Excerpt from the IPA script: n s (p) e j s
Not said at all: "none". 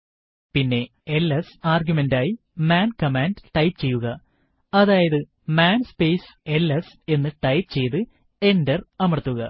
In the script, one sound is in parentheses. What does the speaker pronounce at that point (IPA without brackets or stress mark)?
p